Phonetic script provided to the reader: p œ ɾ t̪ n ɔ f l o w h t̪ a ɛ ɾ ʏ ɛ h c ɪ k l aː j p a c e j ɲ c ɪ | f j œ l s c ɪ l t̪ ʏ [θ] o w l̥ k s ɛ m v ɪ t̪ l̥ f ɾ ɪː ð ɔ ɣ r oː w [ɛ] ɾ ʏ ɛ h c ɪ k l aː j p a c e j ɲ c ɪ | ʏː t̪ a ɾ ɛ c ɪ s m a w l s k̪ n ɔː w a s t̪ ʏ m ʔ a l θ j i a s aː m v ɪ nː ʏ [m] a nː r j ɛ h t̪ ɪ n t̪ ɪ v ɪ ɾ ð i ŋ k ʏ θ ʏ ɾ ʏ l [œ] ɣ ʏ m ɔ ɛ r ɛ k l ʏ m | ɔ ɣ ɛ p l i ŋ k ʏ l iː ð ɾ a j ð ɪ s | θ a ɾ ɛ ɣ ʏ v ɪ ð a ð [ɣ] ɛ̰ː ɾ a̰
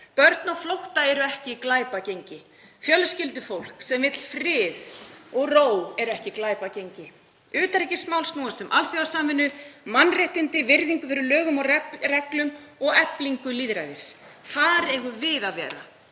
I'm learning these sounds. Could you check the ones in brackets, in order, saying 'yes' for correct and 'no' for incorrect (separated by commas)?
no, yes, yes, no, no